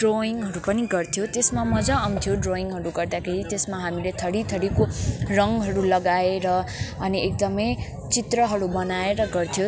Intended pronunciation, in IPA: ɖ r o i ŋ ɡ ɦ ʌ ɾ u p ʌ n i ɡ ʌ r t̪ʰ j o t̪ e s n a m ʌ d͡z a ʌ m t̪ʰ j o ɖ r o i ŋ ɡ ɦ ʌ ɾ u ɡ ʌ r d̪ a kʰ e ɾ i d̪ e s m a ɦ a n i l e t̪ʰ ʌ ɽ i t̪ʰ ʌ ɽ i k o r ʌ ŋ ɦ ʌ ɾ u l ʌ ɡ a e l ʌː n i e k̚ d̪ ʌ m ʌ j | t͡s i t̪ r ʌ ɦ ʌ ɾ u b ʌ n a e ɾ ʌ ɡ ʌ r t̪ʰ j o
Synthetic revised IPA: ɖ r o i ŋ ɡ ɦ ʌ ɾ u p ʌ n i ɡ ʌ r t̪ʰ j o t̪ e s m a m ʌ d͡z a ʌ m t̪ʰ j o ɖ r o i ŋ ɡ ɦ ʌ ɾ u ɡ ʌ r d̪ a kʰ e ɾ i t̪ e s m a ɦ a m i l e t̪ʰ ʌ ɽ i t̪ʰ ʌ ɽ i k o r ʌ ŋ ɦ ʌ ɾ u l ʌ ɡ a e ɾ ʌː n i e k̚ d̪ ʌ m ʌ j | t͡s i t̪ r ʌ ɦ ʌ ɾ u b ʌ n a e ɾ ʌ ɡ ʌ r t̪ʰ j o